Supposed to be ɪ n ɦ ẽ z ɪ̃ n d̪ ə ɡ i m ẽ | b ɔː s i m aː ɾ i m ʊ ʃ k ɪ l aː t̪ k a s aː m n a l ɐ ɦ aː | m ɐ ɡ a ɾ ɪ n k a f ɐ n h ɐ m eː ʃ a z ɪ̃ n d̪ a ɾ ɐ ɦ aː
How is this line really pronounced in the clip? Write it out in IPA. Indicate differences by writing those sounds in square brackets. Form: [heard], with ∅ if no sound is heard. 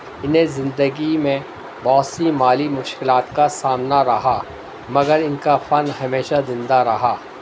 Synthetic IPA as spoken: ɪ n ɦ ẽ z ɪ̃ n d̪ ə ɡ i m ẽ | b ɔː s i m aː [l] i m ʊ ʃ k ɪ l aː t̪ k a s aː m n a [ɾ] ɐ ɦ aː | m ɐ ɡ [ə] ɾ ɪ n k a f ɐ n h ɐ m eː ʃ a z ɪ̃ n d̪ a ɾ ɐ ɦ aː